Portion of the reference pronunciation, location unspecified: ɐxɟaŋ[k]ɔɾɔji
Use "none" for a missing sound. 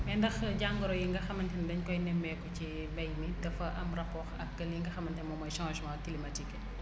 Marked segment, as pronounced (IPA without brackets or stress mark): ɡ